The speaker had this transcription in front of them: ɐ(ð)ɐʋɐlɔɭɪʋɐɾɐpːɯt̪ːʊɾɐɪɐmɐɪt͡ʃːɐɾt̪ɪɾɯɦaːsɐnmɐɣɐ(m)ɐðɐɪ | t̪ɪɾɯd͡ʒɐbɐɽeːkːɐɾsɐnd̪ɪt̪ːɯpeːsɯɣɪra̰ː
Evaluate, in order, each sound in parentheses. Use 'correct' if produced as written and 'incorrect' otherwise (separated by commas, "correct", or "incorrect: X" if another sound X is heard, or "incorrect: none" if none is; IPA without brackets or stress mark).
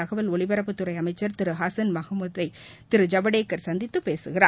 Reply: incorrect: ɣ, correct